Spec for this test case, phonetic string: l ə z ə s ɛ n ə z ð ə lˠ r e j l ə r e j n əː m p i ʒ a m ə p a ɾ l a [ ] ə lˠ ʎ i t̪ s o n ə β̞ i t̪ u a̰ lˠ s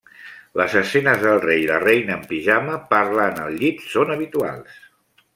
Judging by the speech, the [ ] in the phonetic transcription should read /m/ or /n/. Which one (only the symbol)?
n